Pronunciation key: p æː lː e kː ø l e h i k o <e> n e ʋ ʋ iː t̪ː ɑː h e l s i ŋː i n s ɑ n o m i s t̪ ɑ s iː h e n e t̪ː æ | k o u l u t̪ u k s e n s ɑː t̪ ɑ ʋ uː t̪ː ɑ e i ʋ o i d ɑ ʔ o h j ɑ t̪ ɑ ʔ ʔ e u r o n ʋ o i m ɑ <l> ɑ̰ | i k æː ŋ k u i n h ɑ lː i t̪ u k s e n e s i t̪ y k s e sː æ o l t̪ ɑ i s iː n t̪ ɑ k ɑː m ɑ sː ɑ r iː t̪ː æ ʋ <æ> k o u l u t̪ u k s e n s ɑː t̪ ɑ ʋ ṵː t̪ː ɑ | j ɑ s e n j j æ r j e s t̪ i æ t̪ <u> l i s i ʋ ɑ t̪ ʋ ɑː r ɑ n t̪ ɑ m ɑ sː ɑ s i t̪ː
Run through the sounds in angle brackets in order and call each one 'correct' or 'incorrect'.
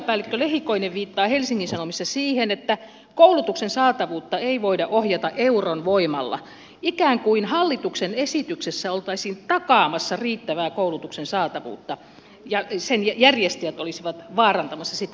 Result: incorrect: i, incorrect: lː, incorrect: æː, incorrect: o

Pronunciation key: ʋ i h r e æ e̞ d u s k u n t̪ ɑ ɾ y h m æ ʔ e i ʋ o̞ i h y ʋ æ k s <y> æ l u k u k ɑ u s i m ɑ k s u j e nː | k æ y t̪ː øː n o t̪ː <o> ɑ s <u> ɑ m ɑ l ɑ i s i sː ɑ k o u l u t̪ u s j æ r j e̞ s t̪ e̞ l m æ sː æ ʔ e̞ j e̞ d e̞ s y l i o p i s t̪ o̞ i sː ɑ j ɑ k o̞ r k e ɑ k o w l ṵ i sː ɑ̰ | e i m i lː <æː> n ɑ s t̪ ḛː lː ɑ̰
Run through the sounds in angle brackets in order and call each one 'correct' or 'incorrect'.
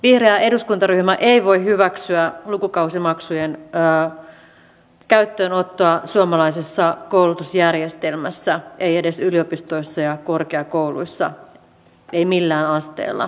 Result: correct, correct, correct, correct

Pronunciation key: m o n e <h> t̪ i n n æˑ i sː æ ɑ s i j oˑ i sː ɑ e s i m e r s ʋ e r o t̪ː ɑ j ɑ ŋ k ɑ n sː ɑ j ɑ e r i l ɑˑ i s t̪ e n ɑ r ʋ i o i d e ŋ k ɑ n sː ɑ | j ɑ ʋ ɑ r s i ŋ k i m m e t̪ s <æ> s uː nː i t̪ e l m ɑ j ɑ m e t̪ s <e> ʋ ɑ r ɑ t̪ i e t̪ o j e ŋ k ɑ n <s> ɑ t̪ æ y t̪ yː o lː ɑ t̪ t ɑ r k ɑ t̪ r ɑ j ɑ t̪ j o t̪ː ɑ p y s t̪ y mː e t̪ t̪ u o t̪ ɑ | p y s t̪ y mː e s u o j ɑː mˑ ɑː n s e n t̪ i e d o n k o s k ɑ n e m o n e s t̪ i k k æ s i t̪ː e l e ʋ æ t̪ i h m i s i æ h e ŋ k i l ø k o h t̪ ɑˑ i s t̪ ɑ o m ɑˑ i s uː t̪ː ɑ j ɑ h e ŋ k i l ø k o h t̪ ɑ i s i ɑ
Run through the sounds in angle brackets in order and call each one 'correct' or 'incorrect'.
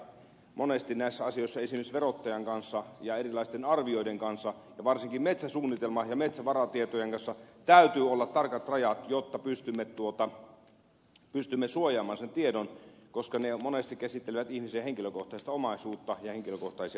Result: incorrect: s, correct, incorrect: æ, incorrect: sː

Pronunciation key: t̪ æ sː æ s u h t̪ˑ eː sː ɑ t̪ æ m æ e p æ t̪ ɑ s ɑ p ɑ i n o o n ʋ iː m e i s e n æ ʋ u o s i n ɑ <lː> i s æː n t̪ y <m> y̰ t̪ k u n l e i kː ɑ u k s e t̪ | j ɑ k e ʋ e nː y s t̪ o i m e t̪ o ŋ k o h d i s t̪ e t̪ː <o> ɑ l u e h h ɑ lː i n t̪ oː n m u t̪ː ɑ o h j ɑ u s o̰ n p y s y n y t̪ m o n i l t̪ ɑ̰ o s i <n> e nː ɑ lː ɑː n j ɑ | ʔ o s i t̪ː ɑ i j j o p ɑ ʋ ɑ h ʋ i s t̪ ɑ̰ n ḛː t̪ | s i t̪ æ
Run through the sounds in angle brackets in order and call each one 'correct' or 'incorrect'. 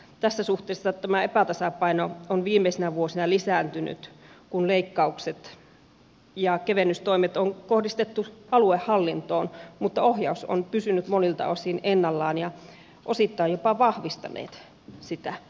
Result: incorrect: l, incorrect: n, incorrect: u, correct

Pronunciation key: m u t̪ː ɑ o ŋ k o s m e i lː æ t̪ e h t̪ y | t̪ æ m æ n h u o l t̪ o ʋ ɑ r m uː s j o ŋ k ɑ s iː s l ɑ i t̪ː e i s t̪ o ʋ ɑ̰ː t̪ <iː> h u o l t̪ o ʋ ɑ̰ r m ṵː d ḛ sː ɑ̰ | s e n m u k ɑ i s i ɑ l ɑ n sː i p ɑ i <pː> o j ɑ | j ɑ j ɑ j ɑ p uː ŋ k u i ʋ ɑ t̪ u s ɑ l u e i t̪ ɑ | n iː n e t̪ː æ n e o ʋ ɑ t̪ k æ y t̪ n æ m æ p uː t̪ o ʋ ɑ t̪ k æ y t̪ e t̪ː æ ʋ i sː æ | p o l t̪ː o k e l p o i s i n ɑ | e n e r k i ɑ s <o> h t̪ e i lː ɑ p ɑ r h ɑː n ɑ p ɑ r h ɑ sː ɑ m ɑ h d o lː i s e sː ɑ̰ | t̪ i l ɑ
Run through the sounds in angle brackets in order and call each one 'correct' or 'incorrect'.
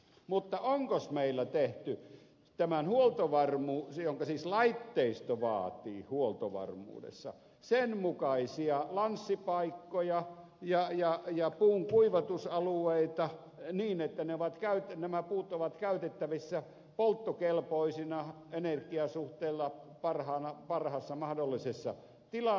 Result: correct, incorrect: kː, incorrect: u

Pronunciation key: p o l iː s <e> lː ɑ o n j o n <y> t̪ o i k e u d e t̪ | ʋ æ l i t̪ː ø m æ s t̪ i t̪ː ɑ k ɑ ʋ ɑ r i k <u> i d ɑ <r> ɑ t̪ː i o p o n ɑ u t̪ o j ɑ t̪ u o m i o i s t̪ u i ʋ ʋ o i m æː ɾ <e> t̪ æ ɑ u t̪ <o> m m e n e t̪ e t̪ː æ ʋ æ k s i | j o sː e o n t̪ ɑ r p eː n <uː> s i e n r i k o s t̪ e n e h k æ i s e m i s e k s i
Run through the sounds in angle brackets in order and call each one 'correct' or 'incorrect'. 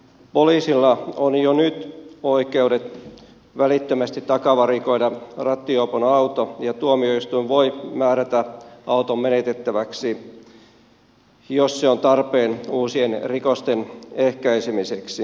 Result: incorrect: i, correct, incorrect: o, correct, incorrect: æ, correct, correct

